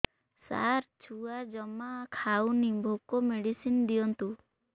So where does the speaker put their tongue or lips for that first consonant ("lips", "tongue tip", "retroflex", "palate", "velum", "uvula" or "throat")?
tongue tip